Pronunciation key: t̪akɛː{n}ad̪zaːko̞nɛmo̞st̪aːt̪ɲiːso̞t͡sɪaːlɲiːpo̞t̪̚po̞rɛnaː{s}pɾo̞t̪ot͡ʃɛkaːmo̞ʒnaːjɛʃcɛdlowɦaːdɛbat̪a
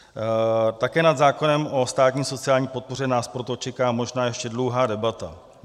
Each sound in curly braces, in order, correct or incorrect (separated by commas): correct, correct